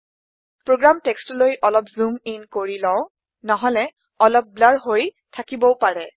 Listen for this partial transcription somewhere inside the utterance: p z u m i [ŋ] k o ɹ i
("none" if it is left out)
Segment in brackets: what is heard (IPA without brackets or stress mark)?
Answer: n